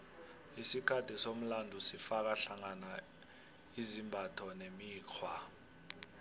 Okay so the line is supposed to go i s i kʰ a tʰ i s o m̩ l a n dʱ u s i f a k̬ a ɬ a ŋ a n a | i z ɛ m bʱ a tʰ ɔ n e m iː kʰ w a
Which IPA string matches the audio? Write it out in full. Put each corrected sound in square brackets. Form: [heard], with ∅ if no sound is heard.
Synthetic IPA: i s i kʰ a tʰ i s o m̩ l a n dʱ u s i f a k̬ a ɬ a ŋ a n a | i z [i] m bʱ a tʰ ɔ n e m iː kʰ w a